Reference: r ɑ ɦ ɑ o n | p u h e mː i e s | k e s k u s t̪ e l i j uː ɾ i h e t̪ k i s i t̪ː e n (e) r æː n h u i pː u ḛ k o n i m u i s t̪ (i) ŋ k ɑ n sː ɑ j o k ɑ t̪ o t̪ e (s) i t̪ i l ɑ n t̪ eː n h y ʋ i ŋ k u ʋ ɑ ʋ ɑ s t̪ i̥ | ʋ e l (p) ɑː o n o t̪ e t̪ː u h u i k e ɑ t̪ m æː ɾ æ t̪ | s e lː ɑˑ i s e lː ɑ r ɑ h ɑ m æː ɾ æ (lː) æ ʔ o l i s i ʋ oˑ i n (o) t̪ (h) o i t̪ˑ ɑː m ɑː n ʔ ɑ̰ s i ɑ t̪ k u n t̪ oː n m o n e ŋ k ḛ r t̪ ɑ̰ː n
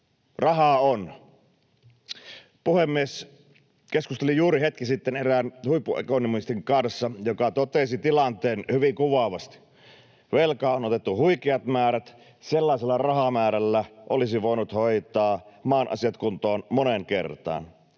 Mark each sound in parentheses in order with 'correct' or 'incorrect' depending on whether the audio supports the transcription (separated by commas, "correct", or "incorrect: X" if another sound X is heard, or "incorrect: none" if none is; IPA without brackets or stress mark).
correct, correct, correct, incorrect: k, correct, incorrect: u, correct